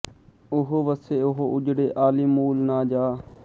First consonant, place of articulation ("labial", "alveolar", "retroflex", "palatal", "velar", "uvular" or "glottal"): glottal